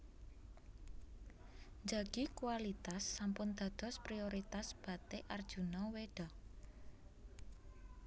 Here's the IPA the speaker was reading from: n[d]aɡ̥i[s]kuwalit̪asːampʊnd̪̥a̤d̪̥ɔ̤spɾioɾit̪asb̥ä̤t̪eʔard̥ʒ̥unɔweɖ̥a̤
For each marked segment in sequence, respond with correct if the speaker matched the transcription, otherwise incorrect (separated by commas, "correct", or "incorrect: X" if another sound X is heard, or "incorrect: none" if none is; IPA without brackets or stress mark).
incorrect: d͡ʒ, incorrect: none